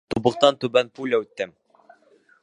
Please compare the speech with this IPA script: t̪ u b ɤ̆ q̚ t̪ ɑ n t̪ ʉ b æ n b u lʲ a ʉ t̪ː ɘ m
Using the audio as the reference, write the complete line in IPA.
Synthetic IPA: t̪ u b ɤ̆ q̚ t̪ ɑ n t̪ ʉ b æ n p u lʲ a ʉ t̪ː ɘ m